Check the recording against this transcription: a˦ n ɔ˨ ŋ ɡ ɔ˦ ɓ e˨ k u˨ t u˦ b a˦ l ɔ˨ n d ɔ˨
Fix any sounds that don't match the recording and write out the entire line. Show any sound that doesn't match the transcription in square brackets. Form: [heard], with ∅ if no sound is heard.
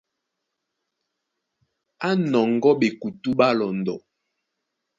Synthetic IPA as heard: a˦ n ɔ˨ ŋ ɡ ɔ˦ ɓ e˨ k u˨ t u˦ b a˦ l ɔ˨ n d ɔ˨